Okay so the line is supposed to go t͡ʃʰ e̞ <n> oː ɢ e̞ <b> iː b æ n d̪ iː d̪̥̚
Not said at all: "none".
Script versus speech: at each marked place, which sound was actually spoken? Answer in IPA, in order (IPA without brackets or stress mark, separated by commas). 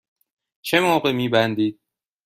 m, m